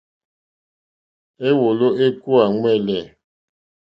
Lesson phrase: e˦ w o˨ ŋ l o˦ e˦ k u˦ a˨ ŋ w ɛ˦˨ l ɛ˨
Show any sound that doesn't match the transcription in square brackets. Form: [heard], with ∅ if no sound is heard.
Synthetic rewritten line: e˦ w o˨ [∅] l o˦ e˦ k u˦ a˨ ŋ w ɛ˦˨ l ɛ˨